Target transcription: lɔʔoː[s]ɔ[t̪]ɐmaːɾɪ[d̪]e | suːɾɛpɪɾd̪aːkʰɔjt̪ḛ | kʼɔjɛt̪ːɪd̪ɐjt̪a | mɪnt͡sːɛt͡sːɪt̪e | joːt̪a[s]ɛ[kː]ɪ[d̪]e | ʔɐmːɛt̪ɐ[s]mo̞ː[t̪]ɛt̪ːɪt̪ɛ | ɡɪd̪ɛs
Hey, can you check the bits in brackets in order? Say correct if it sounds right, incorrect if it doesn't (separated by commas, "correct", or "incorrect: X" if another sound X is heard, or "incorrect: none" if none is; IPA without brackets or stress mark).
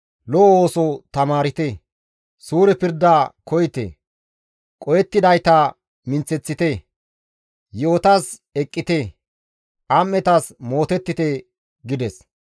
correct, correct, incorrect: t̪, correct, incorrect: kʼː, incorrect: t̪, correct, correct